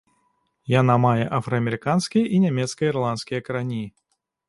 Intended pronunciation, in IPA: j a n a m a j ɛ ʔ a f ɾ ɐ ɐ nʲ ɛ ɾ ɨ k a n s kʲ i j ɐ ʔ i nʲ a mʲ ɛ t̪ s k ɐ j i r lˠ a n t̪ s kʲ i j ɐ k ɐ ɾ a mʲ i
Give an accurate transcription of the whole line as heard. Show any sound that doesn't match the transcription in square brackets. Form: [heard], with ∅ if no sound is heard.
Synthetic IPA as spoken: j a n a m a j ɛ ʔ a f ɾ ɐ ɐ [mʲ] ɛ ɾ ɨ k a n s kʲ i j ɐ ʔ i nʲ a mʲ ɛ t̪ s k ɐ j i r lˠ a n t̪ s kʲ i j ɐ k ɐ ɾ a [nʲ] i